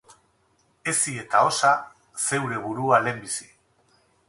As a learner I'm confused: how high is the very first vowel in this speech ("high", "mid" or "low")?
mid